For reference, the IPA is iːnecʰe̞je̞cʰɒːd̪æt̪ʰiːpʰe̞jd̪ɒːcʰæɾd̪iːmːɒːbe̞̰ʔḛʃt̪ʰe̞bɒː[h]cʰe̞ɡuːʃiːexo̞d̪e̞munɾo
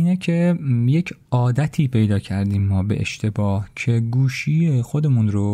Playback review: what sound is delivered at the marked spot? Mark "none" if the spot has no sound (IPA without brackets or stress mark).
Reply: h